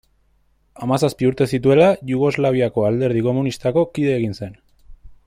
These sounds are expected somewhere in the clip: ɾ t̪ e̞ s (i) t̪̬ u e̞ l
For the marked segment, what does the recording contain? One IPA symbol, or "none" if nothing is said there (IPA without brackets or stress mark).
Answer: i